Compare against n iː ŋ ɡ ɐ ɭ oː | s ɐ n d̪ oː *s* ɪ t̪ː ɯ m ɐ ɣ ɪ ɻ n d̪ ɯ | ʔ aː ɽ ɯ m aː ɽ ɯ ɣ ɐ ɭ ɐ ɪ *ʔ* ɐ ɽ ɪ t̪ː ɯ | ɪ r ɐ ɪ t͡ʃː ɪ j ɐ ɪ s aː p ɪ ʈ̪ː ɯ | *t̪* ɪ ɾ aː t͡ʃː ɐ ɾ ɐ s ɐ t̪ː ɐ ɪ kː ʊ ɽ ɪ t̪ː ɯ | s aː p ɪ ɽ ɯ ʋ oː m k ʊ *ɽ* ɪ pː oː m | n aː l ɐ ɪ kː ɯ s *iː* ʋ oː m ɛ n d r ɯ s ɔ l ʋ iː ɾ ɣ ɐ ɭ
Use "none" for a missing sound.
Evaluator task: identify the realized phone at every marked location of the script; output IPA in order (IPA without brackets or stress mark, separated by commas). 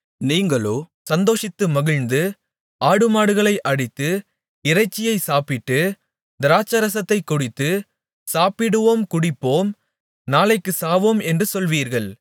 ʂ, ʔ, d̪, ɽ, aː